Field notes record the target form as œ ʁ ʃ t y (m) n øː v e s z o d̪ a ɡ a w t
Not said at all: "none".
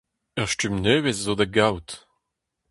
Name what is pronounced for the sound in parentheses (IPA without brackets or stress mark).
m